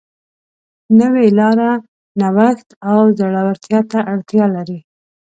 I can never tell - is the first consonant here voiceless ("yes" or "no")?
no